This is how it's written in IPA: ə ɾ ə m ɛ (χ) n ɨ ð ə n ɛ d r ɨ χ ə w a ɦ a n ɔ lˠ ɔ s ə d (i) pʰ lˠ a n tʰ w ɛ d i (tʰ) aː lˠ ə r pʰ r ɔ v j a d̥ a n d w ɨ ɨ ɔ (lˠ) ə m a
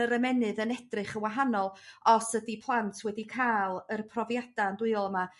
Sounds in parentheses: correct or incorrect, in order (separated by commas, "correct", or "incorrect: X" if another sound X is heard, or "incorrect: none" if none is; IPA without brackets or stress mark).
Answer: incorrect: none, correct, incorrect: kʰ, correct